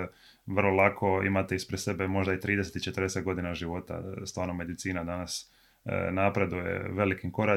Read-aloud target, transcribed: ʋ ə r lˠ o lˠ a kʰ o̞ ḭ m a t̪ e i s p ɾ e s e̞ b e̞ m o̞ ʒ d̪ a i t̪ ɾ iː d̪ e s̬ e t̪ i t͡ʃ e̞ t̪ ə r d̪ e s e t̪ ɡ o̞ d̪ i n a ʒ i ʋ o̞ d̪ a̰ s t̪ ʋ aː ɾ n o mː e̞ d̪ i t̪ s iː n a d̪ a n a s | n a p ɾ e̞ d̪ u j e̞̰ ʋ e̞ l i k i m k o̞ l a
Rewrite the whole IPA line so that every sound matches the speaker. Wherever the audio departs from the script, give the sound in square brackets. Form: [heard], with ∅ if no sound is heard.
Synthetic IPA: ʋ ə r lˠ o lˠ a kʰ o̞ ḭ m a t̪ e i s p ɾ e s e̞ b e̞ m o̞ ʒ d̪ a i t̪ ɾ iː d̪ e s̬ e t̪ i t͡ʃ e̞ t̪ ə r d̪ e s e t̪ ɡ o̞ d̪ i n a ʒ i ʋ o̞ [t̪] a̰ s t̪ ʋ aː ɾ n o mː e̞ d̪ i t̪ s iː n a d̪ a n a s | n a p ɾ e̞ d̪ u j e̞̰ ʋ e̞ l i k i m k o̞ [ɾ] a